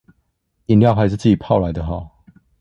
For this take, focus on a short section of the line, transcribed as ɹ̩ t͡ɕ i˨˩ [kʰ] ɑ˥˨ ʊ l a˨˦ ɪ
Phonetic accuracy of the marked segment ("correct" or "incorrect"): incorrect